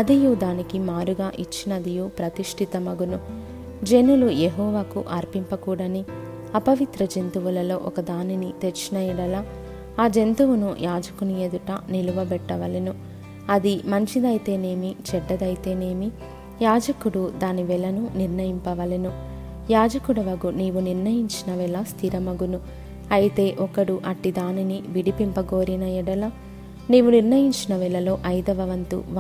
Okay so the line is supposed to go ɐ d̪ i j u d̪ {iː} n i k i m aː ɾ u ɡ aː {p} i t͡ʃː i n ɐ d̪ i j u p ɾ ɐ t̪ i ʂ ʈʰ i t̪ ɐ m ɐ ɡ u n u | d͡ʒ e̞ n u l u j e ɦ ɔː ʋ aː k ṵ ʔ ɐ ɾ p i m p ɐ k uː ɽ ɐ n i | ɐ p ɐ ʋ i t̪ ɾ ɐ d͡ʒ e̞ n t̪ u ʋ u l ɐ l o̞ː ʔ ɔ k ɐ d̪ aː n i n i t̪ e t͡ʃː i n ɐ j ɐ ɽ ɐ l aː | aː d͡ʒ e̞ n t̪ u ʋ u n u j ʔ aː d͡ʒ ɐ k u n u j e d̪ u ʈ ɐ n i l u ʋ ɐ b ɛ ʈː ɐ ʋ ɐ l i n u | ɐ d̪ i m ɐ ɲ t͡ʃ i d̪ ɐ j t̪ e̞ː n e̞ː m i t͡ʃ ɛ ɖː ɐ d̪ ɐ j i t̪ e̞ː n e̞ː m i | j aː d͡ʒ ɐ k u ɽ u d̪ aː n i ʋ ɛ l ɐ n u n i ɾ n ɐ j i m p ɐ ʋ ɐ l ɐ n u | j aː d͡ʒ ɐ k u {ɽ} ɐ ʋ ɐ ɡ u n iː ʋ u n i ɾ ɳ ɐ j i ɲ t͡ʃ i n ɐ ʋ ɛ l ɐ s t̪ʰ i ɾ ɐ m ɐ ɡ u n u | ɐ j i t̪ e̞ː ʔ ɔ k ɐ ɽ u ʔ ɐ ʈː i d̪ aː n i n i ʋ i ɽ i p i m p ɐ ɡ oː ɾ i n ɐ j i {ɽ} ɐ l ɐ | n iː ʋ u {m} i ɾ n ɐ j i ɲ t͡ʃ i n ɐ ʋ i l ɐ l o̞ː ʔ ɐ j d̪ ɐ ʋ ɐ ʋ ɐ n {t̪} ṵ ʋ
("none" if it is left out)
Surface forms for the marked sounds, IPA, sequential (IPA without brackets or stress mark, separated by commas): aː, ʔ, ɽ, ɽ, n, t̪